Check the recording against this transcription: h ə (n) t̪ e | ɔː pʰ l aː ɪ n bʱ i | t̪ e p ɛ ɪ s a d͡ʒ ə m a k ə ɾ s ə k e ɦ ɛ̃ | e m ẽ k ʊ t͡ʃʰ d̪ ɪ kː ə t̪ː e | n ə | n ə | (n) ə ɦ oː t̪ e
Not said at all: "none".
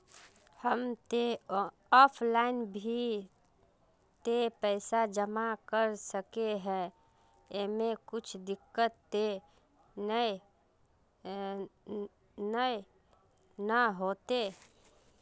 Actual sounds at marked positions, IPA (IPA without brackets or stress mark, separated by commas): m, n